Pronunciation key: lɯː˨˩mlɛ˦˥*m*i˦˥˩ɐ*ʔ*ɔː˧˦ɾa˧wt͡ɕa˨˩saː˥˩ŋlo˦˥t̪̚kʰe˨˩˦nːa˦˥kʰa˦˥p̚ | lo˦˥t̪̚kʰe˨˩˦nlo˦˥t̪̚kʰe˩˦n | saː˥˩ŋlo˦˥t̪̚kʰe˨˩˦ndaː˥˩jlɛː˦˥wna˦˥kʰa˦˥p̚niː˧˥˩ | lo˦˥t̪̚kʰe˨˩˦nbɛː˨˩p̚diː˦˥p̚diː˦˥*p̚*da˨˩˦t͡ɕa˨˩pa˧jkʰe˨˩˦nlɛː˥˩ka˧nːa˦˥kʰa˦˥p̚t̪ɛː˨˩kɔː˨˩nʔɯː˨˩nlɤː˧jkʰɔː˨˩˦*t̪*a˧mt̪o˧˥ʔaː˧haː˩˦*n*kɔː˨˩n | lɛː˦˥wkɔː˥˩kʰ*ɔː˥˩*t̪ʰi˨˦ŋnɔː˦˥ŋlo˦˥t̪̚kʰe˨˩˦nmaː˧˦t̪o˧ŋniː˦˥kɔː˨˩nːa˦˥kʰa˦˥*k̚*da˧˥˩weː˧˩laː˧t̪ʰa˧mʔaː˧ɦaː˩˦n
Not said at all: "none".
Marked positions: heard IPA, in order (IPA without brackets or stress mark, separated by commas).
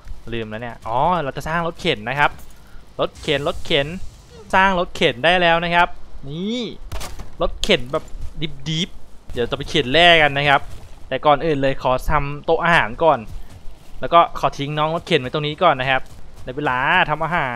n, ʔ, p̚, t̪ʰ, n, ɔː˩˦, p̚